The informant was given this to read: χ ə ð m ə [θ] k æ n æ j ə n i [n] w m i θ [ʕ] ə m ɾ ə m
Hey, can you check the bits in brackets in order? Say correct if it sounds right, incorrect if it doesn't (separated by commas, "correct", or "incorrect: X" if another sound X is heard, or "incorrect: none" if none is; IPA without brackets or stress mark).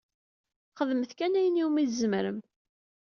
correct, incorrect: none, incorrect: z